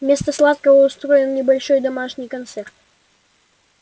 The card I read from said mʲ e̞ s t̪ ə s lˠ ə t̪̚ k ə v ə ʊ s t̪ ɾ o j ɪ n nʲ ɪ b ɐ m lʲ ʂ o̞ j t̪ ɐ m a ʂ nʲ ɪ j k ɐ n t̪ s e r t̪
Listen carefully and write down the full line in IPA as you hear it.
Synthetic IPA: mʲ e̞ s t̪ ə s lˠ a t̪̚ k ə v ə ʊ s t̪ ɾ o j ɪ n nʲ ɪ b ɐ lʲ ʂ o̞ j d̪ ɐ m a ʂ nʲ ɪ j k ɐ n t̪ s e r t̪